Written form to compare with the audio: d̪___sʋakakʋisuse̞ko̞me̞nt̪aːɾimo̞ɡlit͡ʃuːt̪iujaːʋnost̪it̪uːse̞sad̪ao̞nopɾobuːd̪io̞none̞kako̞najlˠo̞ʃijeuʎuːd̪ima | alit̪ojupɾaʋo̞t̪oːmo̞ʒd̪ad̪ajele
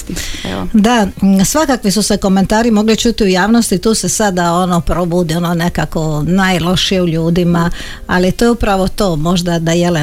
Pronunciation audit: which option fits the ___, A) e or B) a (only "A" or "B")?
B